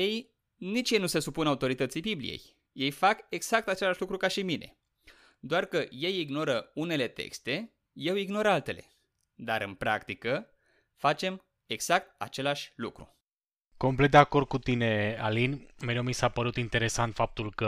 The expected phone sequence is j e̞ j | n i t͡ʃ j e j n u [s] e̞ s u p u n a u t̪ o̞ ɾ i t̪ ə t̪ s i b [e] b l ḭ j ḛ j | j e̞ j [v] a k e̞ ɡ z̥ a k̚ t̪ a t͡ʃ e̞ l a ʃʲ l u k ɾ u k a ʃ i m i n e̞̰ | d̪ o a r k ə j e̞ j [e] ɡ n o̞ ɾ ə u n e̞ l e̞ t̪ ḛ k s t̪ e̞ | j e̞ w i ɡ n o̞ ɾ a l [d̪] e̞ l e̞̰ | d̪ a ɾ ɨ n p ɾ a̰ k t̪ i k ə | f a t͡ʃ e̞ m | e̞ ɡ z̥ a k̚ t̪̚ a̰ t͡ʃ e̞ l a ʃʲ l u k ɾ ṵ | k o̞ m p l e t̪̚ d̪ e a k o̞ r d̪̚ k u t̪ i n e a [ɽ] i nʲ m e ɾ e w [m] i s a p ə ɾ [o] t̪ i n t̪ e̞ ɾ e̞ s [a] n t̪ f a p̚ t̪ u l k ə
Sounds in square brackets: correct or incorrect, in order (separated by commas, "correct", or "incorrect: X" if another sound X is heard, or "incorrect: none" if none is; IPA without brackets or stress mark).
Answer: correct, incorrect: i, incorrect: f, incorrect: i, incorrect: t̪, incorrect: l, correct, incorrect: u, correct